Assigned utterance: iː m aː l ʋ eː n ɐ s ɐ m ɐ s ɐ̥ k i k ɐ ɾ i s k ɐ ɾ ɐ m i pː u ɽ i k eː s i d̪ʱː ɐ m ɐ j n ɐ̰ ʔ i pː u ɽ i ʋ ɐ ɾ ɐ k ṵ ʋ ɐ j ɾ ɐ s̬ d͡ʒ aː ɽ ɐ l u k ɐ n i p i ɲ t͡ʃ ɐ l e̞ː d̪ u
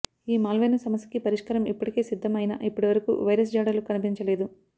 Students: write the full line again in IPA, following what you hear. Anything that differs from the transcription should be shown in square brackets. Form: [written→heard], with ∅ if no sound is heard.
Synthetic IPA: iː m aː l ʋ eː n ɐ s ɐ m ɐ s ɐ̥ k i [k→p] ɐ ɾ i [s→ʂ] k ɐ ɾ ɐ m i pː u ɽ i k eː s i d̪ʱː ɐ m ɐ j n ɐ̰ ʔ i pː u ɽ i ʋ ɐ ɾ ɐ k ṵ ʋ ɐ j ɾ ɐ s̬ d͡ʒ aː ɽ ɐ l u k ɐ n i p i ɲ t͡ʃ ɐ l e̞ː d̪ u